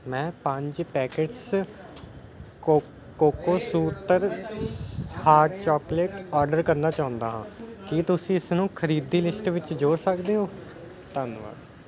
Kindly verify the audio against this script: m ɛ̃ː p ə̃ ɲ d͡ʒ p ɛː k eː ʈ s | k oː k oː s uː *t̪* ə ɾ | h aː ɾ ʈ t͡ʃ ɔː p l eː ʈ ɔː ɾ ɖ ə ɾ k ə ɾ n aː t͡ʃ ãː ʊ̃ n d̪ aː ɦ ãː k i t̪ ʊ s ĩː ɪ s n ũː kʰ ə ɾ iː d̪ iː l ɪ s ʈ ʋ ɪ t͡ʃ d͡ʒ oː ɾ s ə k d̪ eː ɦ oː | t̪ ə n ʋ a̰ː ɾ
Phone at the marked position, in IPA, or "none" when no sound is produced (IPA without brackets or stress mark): t̪